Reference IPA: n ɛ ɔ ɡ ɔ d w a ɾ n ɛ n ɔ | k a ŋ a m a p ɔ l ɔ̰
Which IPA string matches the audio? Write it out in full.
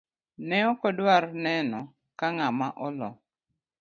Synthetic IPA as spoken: n ɛ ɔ k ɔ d w a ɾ n ɛ n ɔ | k a ŋ a m a ʔ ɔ l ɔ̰

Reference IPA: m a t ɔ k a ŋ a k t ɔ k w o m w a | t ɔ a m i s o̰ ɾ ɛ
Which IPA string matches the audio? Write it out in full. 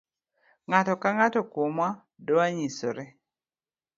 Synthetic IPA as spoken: ŋ a t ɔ k a ŋ a t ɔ k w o m w a | d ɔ a ɲ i s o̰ ɾ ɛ

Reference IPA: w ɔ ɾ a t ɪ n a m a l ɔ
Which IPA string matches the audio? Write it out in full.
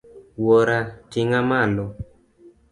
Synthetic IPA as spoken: w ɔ ɾ a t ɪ ŋ a m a l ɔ

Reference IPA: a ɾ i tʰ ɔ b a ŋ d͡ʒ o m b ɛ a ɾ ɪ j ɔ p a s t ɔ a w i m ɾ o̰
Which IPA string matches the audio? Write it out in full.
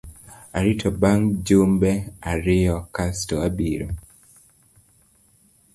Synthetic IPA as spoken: a ɾ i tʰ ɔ b a ŋ d͡ʒ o m b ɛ a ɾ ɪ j ɔ k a s t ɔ a b i ɾ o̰

